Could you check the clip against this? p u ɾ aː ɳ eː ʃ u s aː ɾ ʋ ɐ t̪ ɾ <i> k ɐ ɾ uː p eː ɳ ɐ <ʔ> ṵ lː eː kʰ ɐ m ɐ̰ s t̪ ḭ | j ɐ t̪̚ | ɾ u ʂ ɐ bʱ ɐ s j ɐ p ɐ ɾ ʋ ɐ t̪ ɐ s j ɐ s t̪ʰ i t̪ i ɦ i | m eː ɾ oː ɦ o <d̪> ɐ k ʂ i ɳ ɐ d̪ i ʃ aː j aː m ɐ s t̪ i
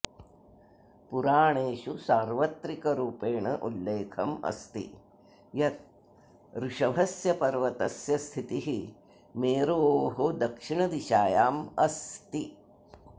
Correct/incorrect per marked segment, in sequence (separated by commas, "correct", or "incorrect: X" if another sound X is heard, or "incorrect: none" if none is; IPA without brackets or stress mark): correct, correct, correct